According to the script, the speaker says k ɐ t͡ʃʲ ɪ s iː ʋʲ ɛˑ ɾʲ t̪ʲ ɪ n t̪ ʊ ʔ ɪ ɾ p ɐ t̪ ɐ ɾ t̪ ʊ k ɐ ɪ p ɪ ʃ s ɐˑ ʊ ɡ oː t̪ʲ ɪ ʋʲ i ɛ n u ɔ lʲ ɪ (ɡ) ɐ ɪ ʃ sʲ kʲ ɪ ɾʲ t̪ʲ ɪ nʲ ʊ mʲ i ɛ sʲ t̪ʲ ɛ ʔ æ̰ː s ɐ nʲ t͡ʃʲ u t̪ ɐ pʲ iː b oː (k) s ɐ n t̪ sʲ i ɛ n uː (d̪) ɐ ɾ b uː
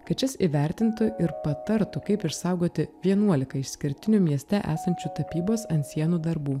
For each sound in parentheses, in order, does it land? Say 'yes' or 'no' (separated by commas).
no, no, yes